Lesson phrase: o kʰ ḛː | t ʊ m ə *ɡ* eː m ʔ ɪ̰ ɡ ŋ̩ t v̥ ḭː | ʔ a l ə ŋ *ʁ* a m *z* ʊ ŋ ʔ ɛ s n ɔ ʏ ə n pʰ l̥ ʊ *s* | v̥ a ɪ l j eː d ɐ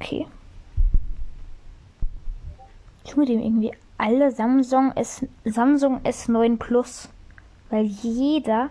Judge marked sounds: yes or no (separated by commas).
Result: no, no, yes, yes